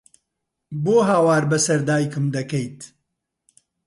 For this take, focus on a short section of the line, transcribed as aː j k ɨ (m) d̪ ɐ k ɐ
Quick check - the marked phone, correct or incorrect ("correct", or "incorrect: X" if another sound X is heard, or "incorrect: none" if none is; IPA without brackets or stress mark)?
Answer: correct